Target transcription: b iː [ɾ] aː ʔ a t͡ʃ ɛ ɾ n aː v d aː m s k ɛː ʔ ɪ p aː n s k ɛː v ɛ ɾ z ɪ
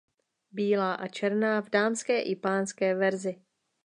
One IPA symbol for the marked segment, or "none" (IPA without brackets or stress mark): l